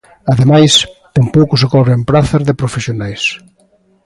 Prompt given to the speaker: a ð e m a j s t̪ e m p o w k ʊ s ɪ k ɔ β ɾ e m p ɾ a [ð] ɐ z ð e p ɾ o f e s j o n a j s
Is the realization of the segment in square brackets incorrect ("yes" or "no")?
yes